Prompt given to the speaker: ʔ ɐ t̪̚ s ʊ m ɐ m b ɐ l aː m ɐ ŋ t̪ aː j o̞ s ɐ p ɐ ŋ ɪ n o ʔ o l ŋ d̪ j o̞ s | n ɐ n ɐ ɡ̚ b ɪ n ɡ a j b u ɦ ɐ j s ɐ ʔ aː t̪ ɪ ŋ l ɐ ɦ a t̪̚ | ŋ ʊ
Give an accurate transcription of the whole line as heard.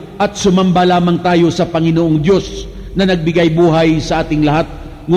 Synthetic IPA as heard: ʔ ɐ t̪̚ s ʊ m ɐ m b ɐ l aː m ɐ ŋ t̪ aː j o̞ s ɐ p ɐ ŋ ɪ n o ʔ o ŋ d̪ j o̞ s | n ɐ n ɐ ɡ̚ b ɪ ɡ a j b uː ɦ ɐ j s ɐ ʔ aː t̪ ɪ ŋ l ɐ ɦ a t̪̚ | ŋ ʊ